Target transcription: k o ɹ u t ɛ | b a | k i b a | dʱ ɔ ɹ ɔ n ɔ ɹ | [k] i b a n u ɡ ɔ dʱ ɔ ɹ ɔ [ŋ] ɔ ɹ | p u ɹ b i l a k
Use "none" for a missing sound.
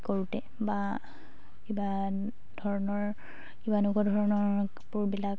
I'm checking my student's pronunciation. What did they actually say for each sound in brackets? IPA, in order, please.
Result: k, n

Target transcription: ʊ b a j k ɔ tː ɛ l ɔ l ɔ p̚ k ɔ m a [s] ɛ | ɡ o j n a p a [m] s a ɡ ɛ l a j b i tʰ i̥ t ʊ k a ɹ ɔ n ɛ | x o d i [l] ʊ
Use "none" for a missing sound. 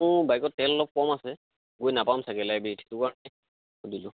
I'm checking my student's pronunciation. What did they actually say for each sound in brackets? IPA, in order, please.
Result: s, m, l

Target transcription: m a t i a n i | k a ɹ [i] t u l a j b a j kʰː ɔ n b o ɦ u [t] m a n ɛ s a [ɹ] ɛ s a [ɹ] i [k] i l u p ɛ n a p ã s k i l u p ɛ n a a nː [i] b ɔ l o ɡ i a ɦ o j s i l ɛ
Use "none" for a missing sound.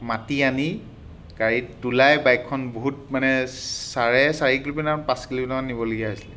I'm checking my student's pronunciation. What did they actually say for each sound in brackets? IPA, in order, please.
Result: i, t, ɹ, ɹ, k, i

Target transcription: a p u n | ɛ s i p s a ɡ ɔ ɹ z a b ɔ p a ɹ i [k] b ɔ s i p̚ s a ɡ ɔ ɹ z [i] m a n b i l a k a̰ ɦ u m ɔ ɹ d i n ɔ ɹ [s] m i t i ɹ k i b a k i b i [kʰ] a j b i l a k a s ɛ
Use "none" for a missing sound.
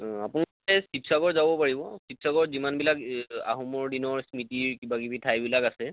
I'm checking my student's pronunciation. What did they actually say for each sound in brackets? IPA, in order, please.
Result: none, i, s, tʰ

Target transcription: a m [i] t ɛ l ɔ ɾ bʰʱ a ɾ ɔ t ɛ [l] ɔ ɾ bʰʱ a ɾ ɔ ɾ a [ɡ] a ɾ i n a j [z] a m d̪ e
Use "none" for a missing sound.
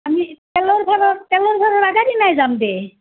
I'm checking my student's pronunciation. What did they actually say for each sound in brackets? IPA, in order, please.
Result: i, l, ɡ, z

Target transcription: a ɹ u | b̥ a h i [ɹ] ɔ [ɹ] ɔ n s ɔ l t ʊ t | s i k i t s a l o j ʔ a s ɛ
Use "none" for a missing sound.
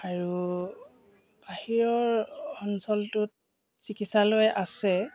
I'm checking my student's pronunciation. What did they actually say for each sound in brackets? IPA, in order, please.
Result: ɹ, ɹ

